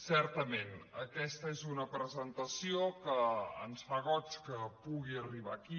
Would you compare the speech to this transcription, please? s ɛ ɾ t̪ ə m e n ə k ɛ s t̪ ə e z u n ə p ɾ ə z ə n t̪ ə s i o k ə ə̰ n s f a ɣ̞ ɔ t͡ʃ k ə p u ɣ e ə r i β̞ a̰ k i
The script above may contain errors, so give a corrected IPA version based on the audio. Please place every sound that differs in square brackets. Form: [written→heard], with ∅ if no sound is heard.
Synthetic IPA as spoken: s ɛ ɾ t̪ ə m e n ə k ɛ s t̪ ə e z u n ə p ɾ ə z ə n t̪ ə s i o k ə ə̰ n s f a ɣ̞ ɔ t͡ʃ k ə p u ɣ [e→i] ə r i β̞ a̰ k i